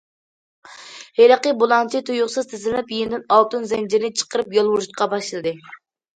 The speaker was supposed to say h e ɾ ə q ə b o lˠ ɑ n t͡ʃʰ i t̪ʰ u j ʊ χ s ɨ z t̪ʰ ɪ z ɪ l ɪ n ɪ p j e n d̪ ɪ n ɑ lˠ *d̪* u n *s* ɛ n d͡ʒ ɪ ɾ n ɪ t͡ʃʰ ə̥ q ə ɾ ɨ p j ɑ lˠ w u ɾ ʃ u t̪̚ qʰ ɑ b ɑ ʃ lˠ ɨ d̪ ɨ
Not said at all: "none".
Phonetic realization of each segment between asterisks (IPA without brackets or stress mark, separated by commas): t̪, z